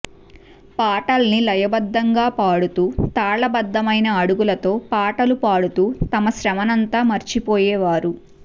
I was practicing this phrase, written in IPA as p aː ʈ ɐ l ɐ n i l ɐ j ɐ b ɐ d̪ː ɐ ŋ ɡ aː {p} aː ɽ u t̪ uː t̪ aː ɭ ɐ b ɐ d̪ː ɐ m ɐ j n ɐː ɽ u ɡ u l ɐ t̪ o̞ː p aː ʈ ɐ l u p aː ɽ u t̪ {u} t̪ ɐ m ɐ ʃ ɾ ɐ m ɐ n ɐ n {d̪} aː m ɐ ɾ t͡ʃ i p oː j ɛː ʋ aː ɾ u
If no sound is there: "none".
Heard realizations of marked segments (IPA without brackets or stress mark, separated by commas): p, uː, t̪